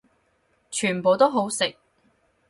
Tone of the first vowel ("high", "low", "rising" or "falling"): low